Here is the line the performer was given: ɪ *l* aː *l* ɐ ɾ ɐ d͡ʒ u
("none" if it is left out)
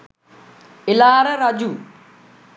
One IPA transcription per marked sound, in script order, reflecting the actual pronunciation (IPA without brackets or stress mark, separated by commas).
l, ɾ